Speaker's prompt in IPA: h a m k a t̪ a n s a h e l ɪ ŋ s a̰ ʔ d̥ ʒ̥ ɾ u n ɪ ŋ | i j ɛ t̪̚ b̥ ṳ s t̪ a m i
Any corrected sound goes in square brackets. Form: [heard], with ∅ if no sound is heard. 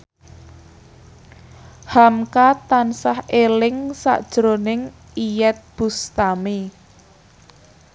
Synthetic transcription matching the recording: h a m k a t̪ a n s a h e l ɪ ŋ s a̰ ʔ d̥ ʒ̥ ɾ [o] n ɪ ŋ | i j ɛ t̪̚ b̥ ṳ s t̪ a m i